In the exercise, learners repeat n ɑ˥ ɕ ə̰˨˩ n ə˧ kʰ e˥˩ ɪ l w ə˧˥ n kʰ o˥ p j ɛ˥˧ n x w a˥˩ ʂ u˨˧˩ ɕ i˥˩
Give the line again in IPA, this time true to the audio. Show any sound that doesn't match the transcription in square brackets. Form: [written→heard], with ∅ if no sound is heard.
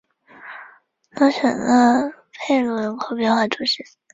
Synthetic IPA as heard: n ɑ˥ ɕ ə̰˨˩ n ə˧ [kʰ→pʰ] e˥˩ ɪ l w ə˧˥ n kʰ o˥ p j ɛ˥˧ n x w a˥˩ [ʂ→ʈ͡ʂ] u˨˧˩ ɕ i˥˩